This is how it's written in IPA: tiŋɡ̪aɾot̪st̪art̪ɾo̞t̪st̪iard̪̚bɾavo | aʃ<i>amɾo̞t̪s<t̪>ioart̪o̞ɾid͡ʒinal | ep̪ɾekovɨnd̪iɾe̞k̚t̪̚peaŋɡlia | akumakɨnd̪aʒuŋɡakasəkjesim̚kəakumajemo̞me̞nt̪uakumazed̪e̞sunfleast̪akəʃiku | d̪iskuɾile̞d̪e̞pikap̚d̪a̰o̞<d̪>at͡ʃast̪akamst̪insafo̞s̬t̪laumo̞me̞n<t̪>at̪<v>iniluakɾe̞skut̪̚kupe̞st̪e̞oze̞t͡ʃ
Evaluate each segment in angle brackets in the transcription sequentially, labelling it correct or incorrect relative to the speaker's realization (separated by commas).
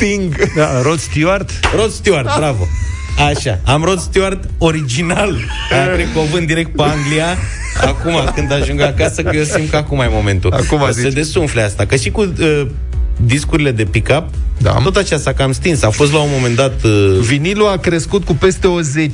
incorrect, correct, incorrect, incorrect, correct